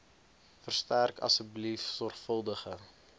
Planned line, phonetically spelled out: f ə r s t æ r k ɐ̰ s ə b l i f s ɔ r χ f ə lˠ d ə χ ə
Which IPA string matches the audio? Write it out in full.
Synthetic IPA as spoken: f ə r s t æ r k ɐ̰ s ə b l i f s ɔ r χ f ə lˠ d ə χ ə